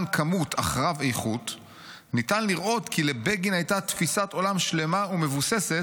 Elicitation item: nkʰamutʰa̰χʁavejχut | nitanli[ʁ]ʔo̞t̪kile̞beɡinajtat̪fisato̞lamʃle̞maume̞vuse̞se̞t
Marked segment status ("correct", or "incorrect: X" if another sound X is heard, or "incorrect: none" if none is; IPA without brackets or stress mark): correct